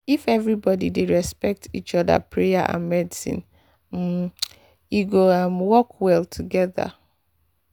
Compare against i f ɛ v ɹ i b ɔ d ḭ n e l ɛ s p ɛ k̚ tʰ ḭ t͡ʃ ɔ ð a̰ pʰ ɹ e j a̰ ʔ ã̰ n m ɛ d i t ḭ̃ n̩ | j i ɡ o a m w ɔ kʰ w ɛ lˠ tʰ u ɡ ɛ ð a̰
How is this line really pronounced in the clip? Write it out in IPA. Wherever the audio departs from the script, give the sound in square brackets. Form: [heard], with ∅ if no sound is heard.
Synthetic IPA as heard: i f ɛ v ɹ i b ɔ d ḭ [d] e [ɹ] ɛ s p ɛ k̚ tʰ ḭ t͡ʃ ɔ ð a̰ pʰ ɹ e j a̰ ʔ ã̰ n m ɛ d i [s] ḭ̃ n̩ | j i ɡ o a m w ɔ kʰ w ɛ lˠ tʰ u ɡ ɛ ð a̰